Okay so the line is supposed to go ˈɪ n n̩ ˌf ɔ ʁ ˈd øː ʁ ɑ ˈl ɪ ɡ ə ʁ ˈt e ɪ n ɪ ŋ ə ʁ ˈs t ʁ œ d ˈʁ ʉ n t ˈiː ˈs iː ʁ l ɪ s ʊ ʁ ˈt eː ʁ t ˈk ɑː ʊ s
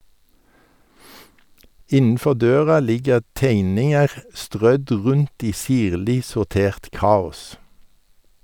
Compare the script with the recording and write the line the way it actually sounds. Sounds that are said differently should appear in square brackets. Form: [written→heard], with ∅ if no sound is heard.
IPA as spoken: ˈɪ n n̩ ˌf ɔ ʁ ˈd øː ʁ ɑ ˈl ɪ ɡ ə ʁ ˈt e ɪ n ɪ ŋ ə ʁ ˈs t ʁ œ d ˈʁ ʉ n t ˈiː ˈs iː ʁ l ɪ s ʊ ʁ ˈt eː ʁ t ˈk ɑː ʊ s

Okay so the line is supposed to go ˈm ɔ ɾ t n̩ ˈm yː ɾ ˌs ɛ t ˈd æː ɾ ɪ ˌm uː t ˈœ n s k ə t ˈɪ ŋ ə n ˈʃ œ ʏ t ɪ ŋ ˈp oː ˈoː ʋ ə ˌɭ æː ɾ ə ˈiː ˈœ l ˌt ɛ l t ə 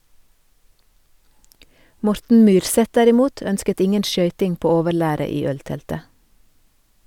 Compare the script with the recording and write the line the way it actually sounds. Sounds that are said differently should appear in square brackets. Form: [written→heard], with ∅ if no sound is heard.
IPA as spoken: ˈm ɔ ɾ t n̩ ˈm yː ɾ ˌs ɛ t ˈd [æː→æ] ɾ ɪ ˌm uː t ˈœ n s k ə t ˈɪ ŋ ə n ˈʃ œ ʏ t ɪ ŋ ˈp oː ˈoː ʋ ə ˌɭ æː ɾ ə ˈiː ˈœ l ˌt ɛ l t ə

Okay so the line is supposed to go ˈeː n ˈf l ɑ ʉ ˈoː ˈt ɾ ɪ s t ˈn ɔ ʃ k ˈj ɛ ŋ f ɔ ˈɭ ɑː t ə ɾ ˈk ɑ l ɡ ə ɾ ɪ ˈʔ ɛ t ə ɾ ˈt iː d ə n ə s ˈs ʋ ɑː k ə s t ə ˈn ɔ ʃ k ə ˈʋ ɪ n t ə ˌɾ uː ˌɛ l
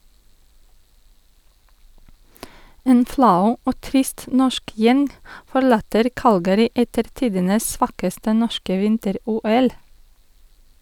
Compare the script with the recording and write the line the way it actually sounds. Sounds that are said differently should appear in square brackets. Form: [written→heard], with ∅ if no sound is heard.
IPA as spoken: ˈeː n ˈf l ɑ ʉ ˈoː ˈt ɾ ɪ s t ˈn ɔ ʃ k ˈj ɛ ŋ f ɔ ˈɭ ɑː t ə ɾ ˈk ɑ l ɡ ə ɾ ɪ ˈʔ ɛ t ə ɾ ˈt iː d ə n ə s ˈs ʋ ɑː k ə s t ə ˈn ɔ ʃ k ə ˈʋ ɪ n t ə ˌɾ uː ˌɛ l

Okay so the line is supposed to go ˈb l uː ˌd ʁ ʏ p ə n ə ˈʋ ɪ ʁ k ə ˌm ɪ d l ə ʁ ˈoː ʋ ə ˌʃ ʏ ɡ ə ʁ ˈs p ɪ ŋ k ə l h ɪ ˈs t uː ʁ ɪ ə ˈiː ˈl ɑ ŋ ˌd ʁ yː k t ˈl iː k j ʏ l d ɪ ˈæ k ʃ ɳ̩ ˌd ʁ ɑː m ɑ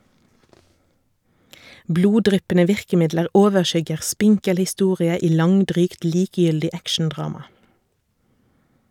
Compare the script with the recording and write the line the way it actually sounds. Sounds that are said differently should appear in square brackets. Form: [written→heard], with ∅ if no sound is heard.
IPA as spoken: ˈb l uː ˌd ʁ ʏ p ə n ə ˈʋ ɪ ʁ k ə ˌm ɪ d l ə ʁ ˈoː ʋ ə ˌʃ ʏ ɡ ə ʁ ˈs p ɪ ŋ k ə l h ɪ ˈs t uː ʁ ɪ ə ˈiː ˈl ɑ ŋ ˌd ʁ yː k t ˈl iː k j ʏ l d ɪ ˈæ k ʃ [ɳ̩→n̩] ˌd ʁ ɑː m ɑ

